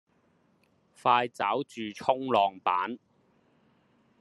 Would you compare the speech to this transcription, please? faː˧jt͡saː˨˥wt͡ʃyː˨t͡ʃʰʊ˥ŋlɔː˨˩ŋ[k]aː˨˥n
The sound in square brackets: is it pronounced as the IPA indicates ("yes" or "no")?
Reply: no